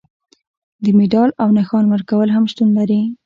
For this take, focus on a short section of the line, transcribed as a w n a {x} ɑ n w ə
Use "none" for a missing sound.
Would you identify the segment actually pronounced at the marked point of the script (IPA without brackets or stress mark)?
x